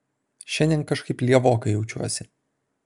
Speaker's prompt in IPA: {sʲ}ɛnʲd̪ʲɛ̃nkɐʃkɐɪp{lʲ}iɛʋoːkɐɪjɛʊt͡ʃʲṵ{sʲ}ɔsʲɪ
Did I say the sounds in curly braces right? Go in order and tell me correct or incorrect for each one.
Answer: incorrect, correct, incorrect

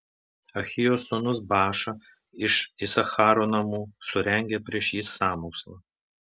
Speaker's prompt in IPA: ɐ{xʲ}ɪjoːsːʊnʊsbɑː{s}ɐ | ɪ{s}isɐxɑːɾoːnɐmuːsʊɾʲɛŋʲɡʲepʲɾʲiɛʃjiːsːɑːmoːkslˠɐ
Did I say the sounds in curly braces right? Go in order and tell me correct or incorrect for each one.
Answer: correct, incorrect, incorrect

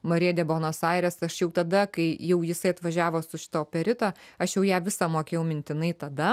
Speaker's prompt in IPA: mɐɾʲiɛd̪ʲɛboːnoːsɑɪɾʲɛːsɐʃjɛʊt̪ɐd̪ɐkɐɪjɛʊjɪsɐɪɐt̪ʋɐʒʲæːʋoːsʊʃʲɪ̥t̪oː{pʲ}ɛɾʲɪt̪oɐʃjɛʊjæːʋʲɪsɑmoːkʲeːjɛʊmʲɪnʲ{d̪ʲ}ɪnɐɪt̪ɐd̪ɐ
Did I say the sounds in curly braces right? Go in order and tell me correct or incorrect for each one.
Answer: correct, incorrect

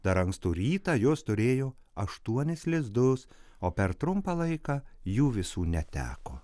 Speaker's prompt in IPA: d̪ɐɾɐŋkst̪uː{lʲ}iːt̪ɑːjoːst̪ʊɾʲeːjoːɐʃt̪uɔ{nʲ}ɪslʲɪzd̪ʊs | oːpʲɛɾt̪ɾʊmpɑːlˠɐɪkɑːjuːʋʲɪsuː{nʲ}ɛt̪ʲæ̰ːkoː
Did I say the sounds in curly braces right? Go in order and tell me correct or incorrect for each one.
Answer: incorrect, correct, correct

